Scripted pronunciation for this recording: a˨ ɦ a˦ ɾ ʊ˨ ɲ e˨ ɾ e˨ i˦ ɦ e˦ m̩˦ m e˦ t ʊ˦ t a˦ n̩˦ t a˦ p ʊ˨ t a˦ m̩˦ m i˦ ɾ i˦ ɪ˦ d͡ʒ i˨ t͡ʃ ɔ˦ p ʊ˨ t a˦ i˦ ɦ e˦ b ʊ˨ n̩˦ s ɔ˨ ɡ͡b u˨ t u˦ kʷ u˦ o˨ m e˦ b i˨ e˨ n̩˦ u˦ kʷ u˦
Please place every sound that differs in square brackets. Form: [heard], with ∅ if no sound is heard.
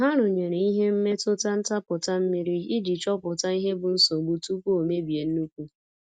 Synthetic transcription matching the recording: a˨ ɦ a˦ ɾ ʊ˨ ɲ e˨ ɾ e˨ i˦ ɦ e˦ m̩˦ m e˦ t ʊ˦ t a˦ n̩˦ t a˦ p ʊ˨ t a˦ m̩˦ m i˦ ɾ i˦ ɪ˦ d͡ʒ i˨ t͡ʃ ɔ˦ p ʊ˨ t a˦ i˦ ɦ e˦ b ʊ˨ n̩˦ s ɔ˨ ɡ͡b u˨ t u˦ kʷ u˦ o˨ m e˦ b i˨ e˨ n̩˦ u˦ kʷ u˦